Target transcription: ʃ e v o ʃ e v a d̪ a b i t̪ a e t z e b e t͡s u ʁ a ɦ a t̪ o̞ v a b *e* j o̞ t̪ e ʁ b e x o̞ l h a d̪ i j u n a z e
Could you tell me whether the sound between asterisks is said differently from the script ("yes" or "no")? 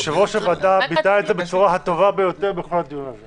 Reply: no